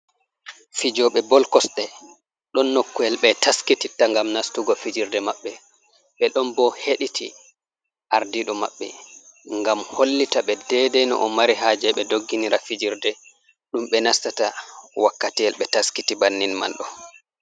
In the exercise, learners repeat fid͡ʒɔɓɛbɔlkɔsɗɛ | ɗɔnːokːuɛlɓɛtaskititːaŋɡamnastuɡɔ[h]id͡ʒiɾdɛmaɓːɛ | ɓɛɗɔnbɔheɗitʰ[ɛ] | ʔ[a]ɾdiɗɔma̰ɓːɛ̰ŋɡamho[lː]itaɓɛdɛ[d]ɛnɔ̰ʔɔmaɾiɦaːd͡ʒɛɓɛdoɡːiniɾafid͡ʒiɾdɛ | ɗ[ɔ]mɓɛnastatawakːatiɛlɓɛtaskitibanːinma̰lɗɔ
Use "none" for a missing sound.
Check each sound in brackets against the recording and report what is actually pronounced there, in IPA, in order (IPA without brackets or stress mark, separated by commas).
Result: f, i, a, lː, d, u